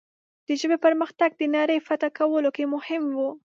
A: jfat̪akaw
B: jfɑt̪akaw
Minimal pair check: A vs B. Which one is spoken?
A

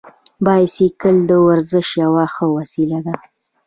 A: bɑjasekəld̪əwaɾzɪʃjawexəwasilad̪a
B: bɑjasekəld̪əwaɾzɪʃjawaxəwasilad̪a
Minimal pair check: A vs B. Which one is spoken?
B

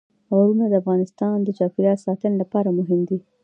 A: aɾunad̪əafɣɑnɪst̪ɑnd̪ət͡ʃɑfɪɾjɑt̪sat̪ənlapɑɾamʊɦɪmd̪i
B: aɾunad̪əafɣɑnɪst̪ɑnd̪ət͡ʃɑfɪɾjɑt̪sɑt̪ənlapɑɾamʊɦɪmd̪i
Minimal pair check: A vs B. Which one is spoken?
B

